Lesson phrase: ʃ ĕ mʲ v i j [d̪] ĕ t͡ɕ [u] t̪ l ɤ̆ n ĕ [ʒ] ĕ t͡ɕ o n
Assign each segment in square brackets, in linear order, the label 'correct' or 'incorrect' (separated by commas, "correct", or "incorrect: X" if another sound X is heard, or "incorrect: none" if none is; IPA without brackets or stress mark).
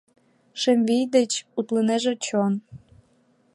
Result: correct, correct, correct